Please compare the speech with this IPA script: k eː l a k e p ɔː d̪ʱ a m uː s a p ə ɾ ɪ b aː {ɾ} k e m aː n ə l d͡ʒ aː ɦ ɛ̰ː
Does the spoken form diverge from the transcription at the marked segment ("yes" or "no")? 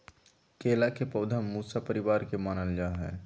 no